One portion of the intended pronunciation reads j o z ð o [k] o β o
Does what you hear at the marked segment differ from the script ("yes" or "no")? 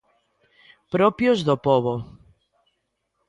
yes